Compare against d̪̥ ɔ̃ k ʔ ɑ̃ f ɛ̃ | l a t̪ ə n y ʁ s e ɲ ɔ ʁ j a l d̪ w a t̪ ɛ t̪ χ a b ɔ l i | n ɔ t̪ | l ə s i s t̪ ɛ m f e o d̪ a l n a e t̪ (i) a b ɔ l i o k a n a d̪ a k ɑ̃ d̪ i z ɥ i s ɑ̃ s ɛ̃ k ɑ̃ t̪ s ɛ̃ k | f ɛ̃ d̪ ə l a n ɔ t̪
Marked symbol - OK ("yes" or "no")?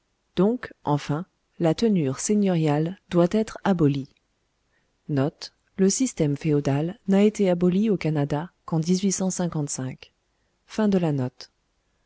no